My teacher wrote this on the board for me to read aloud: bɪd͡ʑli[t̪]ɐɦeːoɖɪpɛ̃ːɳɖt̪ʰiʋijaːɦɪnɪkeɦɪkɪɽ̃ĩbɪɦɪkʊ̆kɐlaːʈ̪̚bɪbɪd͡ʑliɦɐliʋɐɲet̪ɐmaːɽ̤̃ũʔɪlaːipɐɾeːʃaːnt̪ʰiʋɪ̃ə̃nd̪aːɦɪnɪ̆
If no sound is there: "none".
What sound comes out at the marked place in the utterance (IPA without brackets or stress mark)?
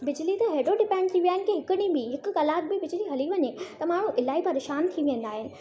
t̪